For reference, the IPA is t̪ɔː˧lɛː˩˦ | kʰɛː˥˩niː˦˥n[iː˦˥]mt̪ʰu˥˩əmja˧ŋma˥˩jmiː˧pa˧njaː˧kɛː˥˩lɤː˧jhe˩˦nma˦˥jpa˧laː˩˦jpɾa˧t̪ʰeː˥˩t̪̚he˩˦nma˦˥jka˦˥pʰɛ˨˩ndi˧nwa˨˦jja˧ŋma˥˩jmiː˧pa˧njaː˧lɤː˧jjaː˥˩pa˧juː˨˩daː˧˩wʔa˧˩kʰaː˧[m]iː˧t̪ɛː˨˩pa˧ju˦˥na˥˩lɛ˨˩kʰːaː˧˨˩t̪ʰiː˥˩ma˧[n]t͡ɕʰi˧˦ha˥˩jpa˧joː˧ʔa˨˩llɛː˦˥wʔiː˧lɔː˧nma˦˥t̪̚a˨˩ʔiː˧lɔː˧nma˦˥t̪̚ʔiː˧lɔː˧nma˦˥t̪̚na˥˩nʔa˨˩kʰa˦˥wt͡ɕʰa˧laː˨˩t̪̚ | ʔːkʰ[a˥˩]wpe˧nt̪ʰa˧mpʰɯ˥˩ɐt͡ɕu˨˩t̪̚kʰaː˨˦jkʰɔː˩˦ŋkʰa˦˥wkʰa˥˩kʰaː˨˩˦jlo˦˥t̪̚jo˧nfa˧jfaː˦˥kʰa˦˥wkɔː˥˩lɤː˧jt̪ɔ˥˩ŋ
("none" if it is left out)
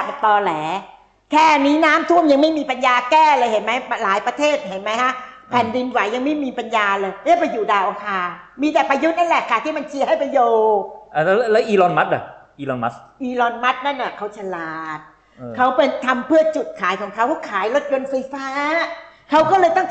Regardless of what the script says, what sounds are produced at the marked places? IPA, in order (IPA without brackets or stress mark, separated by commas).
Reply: aː˦˥, m, n, a˦˥